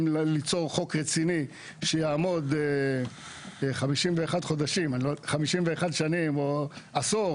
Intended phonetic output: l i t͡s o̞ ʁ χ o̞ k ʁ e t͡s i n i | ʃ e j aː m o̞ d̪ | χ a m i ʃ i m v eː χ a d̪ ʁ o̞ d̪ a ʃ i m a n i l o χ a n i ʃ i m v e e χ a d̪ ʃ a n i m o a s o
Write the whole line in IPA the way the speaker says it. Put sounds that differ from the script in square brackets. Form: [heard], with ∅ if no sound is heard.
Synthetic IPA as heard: l i t͡s o̞ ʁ χ o̞ k ʁ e t͡s i n i | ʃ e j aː m o̞ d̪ | χ a m i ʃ i m v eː χ a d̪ [χ] o̞ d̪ a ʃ i m a n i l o χ a [m] i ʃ i m v e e χ a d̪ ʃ a n i m o a s o